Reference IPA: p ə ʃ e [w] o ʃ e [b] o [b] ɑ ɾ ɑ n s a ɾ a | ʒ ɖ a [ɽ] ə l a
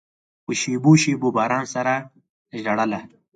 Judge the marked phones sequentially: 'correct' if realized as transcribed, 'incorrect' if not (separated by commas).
incorrect, correct, correct, correct